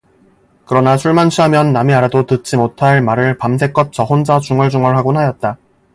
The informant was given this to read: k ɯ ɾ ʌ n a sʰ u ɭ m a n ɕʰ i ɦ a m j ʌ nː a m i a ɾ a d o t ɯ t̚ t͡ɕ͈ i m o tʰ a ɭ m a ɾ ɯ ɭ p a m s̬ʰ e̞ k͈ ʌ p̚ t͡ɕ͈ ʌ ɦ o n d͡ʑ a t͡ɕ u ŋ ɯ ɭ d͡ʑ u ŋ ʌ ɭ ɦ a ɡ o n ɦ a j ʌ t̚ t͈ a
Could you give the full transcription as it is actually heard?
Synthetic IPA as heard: k ɯ ɾ ʌ n a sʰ u ɭ m a n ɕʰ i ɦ a m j ʌ nː a m i a ɾ a d o t ɯ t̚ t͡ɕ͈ i m o tʰ a ɭ m a ɾ ɯ ɭ p a m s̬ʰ e̞ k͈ ʌ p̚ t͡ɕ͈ ʌ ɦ o n d͡ʑ a t͡ɕ u ŋ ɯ ɭ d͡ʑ u ŋ ʌ ɭ ɦ a ɡ o n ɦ a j ʌ t̚ t͈ a